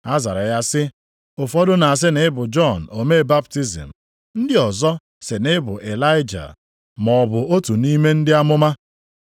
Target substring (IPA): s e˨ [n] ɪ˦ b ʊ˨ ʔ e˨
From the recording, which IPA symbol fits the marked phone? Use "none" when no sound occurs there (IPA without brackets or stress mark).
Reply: n